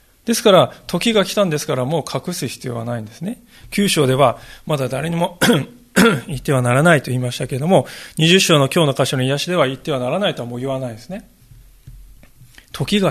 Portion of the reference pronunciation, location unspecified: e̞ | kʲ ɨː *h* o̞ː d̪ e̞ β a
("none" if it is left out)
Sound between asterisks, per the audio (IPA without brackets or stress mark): ɕ